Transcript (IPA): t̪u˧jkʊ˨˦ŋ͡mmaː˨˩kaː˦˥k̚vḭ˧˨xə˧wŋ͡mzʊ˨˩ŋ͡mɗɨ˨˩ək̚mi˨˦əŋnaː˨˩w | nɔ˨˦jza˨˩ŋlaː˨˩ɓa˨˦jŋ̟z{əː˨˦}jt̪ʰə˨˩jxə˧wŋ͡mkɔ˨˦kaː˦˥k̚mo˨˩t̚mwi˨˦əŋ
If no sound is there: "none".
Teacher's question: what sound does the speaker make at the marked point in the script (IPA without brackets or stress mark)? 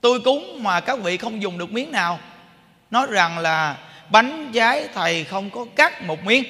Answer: aː˨˦